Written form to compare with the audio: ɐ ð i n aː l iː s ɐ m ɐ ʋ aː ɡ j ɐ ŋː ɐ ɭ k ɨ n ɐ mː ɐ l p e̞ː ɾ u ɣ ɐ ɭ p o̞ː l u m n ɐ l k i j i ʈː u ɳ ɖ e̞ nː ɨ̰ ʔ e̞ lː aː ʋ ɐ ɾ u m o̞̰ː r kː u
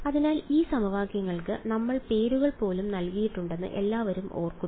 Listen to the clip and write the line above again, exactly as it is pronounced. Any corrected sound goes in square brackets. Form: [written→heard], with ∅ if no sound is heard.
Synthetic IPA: ɐ ð i n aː l iː s ɐ m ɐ ʋ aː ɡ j ɐ ŋː ɐ ɭ k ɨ n ɐ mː ɐ [l→ɭ] p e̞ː ɾ u ɣ ɐ ɭ p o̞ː l u m n ɐ l k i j i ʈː u ɳ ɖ e̞ nː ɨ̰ ʔ e̞ lː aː ʋ ɐ ɾ u m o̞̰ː r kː u